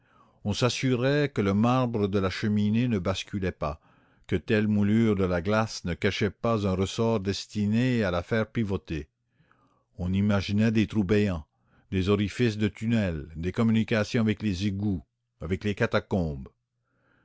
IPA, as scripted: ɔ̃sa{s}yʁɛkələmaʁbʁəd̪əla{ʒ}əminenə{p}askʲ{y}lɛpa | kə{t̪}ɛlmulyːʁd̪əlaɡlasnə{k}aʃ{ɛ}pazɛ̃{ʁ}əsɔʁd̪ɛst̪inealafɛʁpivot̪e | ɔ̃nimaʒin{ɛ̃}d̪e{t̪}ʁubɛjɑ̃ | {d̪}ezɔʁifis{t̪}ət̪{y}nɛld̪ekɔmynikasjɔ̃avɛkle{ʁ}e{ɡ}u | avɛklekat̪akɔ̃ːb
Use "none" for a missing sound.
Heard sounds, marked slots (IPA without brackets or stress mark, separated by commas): s, ʃ, b, y, t̪, k, ɛ, ʁ, ɛ, t̪, d̪, d̪, y, z, ɡ